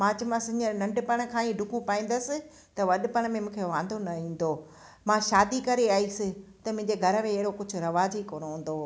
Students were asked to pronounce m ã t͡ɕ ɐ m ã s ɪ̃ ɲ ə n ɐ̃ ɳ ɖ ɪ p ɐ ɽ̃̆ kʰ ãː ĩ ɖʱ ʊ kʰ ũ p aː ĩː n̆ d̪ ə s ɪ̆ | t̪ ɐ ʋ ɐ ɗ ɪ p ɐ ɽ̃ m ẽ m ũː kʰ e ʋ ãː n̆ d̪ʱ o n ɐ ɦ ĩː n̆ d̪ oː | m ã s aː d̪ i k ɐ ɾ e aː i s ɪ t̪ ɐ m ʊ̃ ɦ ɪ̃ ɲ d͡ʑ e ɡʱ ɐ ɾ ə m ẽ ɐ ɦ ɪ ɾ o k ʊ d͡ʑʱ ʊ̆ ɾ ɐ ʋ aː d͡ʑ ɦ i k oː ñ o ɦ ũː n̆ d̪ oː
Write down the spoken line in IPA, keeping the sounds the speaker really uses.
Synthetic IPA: m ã t͡ɕ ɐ m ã s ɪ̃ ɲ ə n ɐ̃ ɳ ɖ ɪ p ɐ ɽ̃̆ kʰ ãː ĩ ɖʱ ʊ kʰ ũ p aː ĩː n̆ d̪ ə s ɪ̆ | t̪ ɐ ʋ ɐ ɗ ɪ p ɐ ɽ̃ m ẽ m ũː kʰ e ʋ ãː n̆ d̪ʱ o n ɐ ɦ ĩː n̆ d̪ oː | m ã ʃ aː d̪ i k ɐ ɾ e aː i s ɪ t̪ ɐ m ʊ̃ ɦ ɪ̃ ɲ d͡ʑ e ɡʱ ɐ ɾ ə m ẽ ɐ ɦ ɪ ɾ o k ʊ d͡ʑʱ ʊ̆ ɾ ɐ ʋ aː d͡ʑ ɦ i k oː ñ o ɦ ũː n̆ d̪ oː